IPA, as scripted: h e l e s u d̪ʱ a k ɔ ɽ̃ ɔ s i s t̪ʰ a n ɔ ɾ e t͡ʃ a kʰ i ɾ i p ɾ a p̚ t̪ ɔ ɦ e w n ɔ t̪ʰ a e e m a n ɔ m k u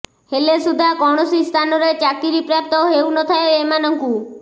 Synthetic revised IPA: h e l e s u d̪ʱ a k ɔ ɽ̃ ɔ s i s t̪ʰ a n ɔ ɾ e t͡ʃ a k i ɾ i p ɾ a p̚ t̪ ɔ ɦ e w n ɔ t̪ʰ a e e m a n ɔ ŋ k u